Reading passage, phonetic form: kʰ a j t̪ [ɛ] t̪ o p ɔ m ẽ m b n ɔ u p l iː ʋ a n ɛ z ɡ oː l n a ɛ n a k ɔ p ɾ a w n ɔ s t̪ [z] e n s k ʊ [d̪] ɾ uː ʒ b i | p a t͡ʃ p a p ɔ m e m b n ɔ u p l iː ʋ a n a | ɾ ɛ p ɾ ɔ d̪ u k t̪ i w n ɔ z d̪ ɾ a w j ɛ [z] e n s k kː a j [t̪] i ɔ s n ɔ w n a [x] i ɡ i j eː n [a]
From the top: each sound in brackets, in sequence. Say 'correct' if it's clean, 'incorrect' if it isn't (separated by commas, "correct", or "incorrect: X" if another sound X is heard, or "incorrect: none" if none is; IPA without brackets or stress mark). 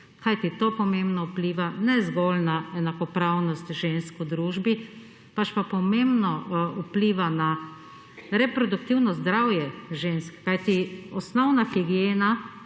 incorrect: i, incorrect: ʒ, correct, incorrect: ʒ, correct, correct, correct